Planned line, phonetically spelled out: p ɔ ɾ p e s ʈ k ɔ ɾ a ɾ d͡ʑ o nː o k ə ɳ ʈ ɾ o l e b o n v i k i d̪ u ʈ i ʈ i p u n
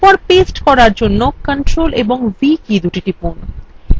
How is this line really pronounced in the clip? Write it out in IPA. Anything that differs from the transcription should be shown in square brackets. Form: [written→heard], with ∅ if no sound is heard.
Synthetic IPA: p ɔ ɾ p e s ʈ k ɔ ɾ a ɾ d͡ʑ o nː o k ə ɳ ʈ ɾ o l e b o [n→ŋ] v i k i d̪ u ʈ i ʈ i p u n